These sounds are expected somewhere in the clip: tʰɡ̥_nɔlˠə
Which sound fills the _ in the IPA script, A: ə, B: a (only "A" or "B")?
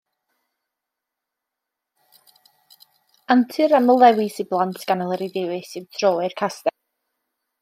B